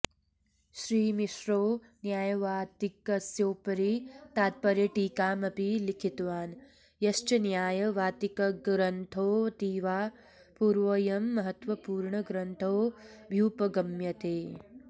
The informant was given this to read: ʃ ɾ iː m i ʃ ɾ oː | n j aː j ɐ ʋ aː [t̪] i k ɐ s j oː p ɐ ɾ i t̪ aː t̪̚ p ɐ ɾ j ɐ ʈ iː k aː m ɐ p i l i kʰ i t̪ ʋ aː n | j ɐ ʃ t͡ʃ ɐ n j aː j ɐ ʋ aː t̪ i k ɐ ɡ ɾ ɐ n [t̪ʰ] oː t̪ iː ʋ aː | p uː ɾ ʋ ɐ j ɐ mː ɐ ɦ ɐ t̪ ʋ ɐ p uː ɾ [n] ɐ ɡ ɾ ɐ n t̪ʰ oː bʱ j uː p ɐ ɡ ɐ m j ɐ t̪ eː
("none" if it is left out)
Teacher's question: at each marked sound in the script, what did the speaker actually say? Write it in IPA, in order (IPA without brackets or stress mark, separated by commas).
t̪, t̪ʰ, ɳ